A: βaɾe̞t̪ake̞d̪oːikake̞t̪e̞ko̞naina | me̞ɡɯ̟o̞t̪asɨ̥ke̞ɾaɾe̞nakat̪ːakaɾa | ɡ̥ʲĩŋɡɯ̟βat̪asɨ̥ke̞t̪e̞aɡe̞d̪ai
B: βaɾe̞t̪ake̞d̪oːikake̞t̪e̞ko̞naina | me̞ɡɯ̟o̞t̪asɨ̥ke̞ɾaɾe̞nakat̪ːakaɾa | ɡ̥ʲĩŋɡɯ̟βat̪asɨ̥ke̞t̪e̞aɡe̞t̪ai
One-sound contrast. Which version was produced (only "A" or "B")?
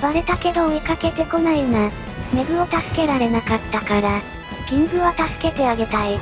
B